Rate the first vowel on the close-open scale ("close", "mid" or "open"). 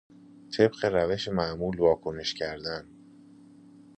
mid